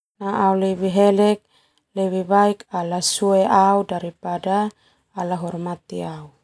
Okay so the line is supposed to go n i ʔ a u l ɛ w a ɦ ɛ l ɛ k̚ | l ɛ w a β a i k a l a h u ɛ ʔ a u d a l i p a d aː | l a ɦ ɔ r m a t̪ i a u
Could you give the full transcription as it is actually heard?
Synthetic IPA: n a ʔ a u l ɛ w i ɦ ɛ l ɛ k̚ | l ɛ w i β a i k a l a s u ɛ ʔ a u d a ɾ i p a d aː | l a ɦ ɔ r m a t̪ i a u